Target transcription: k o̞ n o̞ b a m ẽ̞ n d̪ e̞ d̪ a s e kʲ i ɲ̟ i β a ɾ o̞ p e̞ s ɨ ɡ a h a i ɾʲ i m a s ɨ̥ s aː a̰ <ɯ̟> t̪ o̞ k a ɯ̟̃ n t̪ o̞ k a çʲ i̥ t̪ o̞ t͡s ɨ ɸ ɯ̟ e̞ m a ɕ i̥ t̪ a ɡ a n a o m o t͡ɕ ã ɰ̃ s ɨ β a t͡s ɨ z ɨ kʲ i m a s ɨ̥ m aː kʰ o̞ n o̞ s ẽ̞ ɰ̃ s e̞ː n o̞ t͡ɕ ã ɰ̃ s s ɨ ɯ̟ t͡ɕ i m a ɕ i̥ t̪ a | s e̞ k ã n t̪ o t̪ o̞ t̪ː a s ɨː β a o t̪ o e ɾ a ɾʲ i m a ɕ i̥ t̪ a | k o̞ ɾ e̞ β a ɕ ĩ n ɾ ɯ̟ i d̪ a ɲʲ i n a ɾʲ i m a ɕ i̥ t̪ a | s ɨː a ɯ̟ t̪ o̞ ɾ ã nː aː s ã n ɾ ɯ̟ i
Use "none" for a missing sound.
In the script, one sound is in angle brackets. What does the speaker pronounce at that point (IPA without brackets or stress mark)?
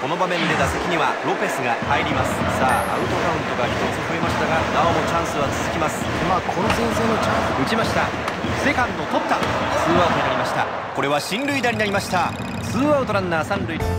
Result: ɯ̟